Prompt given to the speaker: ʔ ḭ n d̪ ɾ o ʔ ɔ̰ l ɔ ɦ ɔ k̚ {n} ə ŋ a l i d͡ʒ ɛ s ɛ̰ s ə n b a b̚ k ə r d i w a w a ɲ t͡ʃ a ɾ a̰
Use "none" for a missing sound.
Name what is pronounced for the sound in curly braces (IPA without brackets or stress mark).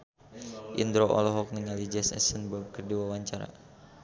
n